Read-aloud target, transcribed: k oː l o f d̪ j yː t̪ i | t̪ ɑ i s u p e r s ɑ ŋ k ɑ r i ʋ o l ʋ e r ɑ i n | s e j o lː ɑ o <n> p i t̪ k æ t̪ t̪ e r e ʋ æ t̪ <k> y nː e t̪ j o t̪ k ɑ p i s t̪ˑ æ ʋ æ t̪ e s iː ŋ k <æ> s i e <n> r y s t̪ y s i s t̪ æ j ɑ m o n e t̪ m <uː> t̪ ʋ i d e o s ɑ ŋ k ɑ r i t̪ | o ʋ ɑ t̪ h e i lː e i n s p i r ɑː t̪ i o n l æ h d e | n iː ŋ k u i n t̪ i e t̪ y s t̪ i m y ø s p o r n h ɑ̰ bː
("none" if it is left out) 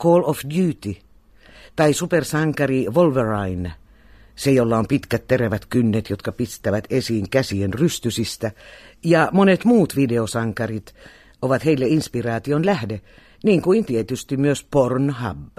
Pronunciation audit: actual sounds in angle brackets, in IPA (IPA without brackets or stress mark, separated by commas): m, k, æ, n, uː